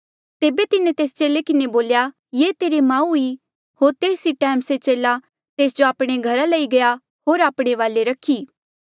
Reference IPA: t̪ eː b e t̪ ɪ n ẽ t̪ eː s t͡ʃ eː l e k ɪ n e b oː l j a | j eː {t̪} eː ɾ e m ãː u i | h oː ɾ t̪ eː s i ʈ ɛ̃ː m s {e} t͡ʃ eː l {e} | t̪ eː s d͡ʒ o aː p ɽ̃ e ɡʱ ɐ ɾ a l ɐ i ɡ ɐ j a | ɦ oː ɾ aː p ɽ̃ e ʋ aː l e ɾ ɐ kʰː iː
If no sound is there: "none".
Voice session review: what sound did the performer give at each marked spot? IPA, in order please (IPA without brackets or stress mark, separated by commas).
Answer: t̪, e, a